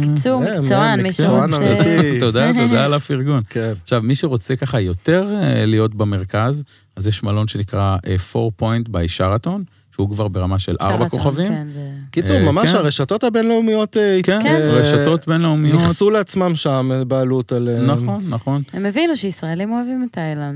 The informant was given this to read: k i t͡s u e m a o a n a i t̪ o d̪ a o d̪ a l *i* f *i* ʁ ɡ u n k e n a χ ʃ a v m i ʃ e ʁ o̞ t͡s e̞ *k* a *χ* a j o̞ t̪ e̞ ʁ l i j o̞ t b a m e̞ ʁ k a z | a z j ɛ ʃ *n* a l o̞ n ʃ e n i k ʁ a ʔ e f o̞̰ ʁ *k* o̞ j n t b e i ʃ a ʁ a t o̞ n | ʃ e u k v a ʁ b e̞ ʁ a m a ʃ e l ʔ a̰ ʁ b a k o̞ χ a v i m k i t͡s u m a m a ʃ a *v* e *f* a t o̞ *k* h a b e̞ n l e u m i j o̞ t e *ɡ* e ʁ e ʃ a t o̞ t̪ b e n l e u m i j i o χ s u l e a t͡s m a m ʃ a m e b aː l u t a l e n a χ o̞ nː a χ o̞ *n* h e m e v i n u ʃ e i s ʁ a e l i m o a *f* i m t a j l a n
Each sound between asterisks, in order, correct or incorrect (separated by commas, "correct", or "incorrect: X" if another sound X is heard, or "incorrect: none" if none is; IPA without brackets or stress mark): incorrect: a, correct, correct, correct, incorrect: m, incorrect: p, incorrect: ʁ, incorrect: ʃ, incorrect: t, incorrect: k, correct, incorrect: v